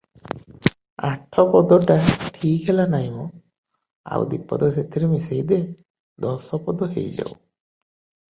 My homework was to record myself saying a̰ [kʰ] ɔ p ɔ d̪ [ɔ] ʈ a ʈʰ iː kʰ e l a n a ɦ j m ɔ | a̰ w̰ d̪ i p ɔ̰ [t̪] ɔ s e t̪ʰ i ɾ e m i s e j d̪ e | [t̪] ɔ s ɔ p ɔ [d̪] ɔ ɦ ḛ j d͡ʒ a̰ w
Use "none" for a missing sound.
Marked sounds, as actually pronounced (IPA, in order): ʈʰ, ɔ, d̪, d̪, d̪

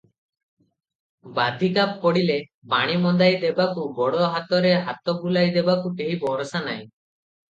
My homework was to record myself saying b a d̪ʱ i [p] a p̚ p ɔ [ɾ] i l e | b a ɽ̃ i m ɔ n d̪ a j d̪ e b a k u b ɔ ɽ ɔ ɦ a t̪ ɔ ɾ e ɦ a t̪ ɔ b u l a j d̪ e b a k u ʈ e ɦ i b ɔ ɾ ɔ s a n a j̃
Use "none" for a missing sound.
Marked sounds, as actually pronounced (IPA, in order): k, ɽ

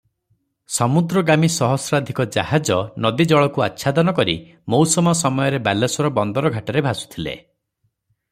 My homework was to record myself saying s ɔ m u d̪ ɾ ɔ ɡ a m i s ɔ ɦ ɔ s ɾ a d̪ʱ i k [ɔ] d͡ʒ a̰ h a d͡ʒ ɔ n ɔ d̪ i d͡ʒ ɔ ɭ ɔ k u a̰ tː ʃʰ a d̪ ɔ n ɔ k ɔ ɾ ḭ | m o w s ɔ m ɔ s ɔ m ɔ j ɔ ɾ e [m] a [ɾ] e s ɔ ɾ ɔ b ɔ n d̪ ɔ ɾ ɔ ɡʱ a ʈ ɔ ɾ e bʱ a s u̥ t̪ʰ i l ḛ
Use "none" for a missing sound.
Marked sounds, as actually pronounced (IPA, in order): ɔ, b, l

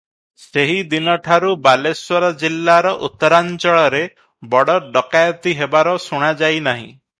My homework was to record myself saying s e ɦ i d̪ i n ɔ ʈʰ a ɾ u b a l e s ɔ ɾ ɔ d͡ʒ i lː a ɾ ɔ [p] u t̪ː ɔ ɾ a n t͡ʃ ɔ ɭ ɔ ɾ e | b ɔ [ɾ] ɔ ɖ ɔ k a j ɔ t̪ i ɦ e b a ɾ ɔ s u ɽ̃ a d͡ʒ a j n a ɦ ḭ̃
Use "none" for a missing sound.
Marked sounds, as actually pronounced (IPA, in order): ʔ, ɽ

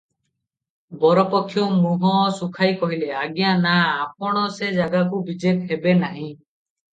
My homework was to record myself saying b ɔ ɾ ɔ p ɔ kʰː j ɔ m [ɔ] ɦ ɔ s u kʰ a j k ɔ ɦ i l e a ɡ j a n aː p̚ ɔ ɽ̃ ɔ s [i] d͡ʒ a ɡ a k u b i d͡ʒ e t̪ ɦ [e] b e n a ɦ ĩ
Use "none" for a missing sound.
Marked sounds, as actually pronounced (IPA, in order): u, e, e

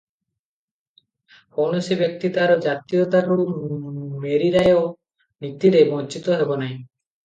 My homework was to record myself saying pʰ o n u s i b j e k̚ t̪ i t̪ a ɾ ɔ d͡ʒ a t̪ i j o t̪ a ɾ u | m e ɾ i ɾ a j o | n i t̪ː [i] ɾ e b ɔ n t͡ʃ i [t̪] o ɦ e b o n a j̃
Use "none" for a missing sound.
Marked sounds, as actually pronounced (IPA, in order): i, t̪

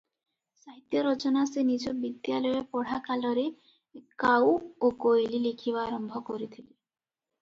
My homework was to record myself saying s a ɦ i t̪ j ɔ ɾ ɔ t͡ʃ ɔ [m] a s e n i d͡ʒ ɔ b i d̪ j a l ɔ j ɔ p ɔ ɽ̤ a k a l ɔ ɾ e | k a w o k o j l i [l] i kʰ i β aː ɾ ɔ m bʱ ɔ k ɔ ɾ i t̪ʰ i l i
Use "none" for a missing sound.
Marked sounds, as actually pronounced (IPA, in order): n, l

